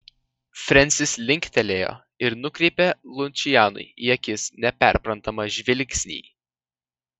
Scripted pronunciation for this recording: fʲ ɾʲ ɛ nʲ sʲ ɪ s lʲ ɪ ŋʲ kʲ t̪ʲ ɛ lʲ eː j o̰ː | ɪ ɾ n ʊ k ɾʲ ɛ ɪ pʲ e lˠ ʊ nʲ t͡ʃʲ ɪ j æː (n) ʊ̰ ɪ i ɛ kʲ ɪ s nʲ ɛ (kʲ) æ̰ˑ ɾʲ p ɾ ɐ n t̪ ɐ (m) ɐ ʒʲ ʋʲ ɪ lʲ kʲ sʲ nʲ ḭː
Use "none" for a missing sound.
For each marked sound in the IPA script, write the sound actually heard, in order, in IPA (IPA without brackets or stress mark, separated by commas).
n, pʲ, m